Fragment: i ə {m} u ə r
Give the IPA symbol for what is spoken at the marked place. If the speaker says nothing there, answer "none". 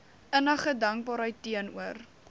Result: n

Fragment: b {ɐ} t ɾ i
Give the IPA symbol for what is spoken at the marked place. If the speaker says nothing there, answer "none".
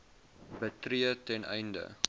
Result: ə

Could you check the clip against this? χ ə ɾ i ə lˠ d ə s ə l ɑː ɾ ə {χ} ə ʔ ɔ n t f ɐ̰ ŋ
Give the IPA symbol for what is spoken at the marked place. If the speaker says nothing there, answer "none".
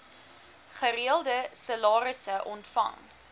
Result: s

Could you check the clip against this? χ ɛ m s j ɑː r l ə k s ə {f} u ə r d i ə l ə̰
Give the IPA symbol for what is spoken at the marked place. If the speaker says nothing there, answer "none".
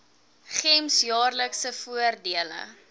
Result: f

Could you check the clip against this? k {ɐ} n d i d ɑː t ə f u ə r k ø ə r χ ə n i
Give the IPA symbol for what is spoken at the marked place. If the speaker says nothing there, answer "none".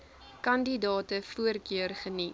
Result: ɐ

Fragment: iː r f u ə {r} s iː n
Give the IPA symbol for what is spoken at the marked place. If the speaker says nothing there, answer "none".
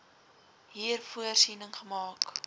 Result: r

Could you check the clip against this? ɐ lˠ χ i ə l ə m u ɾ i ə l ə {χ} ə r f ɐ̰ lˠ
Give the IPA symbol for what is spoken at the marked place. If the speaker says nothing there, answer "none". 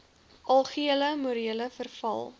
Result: f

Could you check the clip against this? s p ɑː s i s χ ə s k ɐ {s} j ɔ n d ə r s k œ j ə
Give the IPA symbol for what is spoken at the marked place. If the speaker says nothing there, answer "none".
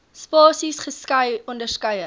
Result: none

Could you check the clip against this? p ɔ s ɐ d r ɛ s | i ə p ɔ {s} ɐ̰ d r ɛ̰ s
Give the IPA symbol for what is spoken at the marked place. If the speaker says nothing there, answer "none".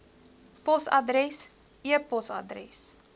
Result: s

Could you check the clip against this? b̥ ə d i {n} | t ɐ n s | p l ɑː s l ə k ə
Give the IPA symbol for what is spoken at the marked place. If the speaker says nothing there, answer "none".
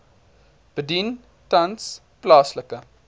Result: n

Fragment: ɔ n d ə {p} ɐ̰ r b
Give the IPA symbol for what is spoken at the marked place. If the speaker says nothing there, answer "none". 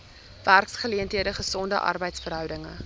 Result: ʔ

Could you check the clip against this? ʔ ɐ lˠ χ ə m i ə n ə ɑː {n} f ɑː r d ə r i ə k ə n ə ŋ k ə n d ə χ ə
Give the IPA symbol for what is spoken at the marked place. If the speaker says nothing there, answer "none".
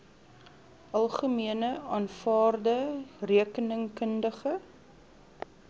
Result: n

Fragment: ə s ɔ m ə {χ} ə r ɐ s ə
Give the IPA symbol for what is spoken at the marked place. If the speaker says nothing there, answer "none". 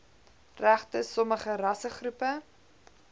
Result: χ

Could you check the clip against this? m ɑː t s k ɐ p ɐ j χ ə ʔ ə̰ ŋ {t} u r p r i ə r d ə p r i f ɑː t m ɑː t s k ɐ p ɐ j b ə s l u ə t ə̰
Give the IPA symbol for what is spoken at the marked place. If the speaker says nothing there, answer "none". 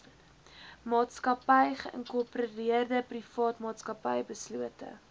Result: k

